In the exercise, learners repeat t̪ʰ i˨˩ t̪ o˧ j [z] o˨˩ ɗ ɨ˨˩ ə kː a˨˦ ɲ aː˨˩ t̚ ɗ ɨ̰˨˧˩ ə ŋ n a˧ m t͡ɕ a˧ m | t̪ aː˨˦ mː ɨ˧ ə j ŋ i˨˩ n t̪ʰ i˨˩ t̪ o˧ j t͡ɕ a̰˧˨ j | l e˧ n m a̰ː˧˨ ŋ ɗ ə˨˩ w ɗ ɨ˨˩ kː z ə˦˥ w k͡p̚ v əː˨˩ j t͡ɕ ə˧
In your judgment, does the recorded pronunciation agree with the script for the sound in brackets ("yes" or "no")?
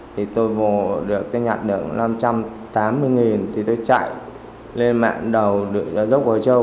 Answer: no